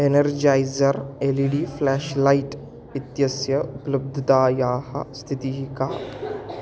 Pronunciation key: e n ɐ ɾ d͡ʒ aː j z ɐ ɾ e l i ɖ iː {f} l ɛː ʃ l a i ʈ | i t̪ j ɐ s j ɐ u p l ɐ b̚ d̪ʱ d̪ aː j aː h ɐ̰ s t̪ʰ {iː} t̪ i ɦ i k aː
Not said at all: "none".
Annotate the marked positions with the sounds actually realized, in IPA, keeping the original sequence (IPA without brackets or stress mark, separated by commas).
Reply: f, i